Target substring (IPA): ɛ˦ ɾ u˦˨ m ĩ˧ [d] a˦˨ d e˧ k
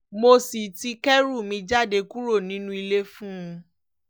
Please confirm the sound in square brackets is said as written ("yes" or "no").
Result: no